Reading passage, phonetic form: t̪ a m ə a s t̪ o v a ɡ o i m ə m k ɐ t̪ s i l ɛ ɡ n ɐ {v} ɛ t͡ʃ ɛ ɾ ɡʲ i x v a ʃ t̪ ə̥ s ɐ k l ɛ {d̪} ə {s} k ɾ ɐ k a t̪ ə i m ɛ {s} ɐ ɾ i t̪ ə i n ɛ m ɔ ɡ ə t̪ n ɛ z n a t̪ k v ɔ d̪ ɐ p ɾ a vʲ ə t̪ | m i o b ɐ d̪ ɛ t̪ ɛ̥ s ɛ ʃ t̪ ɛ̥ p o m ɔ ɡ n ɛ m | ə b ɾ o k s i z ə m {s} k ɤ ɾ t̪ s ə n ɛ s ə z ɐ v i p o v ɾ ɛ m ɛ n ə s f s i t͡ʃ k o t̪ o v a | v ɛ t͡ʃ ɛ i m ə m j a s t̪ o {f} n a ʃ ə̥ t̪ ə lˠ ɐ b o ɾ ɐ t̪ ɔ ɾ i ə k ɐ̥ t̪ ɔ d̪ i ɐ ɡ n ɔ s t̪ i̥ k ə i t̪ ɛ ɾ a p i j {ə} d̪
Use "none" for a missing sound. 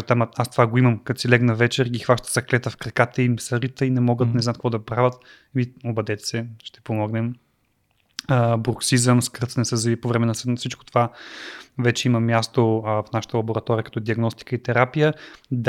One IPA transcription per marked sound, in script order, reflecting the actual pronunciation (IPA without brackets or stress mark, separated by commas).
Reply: v, t̪, f, s, s, f, ə